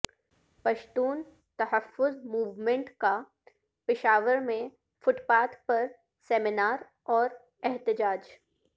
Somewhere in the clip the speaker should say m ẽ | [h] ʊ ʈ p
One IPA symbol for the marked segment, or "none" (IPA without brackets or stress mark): f